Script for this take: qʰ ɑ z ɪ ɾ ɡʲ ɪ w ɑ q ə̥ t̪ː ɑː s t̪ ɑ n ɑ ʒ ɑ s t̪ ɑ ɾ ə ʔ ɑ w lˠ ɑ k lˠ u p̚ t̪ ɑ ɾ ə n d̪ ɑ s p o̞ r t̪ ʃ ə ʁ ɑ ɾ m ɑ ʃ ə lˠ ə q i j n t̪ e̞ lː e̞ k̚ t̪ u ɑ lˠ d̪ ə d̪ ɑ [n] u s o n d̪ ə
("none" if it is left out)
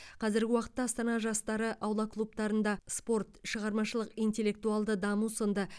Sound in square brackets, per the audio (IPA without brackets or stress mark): m